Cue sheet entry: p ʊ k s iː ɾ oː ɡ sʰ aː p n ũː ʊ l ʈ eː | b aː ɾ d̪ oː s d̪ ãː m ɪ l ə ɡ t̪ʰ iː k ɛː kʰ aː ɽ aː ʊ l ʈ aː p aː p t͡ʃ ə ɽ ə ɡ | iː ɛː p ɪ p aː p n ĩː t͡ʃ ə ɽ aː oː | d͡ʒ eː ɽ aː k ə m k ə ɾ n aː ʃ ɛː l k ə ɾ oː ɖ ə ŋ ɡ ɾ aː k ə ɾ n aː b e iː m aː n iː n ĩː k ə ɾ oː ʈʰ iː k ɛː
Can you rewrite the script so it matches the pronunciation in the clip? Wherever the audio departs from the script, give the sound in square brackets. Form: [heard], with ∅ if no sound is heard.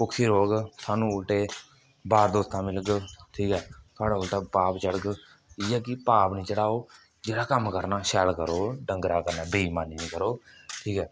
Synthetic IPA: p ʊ k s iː ɾ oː ɡ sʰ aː [∅] n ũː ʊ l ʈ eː | b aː ɾ d̪ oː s [t̪] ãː m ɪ l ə ɡ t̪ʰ iː k ɛː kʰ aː ɽ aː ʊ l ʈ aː p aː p t͡ʃ ə ɽ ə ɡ | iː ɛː [k] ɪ p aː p n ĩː t͡ʃ ə ɽ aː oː | d͡ʒ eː ɽ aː k ə m k ə ɾ n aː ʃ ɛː l k ə ɾ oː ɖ ə ŋ ɡ ɾ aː k ə ɾ n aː b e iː m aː n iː n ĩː k ə ɾ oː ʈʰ iː k ɛː